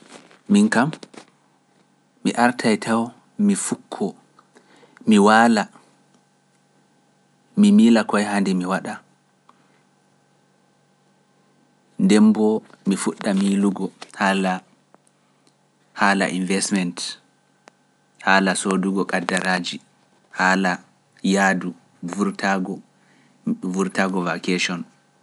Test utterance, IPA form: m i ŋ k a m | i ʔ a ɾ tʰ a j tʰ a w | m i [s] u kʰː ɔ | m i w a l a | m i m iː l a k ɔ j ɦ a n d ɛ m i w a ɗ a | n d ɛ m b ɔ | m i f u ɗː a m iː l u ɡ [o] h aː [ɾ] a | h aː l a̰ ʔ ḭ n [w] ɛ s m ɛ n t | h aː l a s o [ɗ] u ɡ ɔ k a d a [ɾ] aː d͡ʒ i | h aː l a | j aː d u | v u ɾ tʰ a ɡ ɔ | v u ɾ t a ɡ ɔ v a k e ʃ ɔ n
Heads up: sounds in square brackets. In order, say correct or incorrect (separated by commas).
incorrect, incorrect, incorrect, incorrect, incorrect, correct